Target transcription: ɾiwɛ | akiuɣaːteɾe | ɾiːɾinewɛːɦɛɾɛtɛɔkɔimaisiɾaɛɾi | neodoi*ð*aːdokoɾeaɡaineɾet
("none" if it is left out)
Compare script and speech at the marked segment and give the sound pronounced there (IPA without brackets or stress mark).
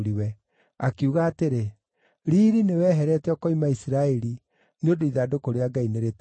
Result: ð